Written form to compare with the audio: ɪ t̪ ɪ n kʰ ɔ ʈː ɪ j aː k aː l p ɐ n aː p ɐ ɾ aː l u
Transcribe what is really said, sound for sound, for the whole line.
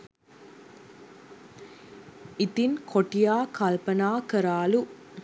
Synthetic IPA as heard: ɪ t̪ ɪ n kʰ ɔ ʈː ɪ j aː k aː l p ɐ n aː k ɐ ɾ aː l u